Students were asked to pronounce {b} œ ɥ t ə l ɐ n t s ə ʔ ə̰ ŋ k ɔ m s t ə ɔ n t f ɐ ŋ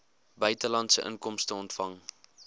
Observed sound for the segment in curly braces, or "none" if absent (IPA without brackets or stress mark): b